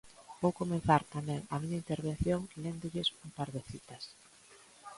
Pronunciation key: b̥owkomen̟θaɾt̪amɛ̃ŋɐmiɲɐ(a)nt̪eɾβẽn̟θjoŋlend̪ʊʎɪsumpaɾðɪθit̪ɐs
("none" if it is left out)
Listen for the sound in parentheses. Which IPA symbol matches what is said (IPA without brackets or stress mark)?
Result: i